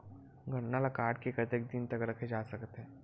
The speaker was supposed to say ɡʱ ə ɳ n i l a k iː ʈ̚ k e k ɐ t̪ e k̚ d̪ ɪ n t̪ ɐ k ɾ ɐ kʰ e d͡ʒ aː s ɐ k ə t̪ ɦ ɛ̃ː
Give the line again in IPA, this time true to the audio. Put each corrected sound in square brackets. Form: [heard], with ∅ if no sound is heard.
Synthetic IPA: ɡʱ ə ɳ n [a] l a k [aː] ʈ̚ k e k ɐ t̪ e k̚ d̪ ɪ n t̪ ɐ k ɾ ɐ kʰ e d͡ʒ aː s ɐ k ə t̪ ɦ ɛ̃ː